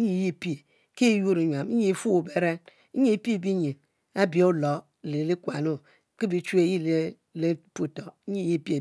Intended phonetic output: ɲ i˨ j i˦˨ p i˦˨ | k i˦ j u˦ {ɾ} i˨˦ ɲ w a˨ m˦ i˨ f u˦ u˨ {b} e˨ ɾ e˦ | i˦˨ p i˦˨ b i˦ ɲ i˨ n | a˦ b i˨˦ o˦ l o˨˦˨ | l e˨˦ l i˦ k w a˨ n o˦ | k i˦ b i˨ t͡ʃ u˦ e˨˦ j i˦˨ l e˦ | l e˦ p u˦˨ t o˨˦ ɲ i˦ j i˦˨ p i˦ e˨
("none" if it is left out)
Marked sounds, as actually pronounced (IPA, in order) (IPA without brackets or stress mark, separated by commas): ɾ, b